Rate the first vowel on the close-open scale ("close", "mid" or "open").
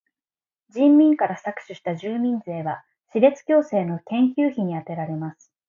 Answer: close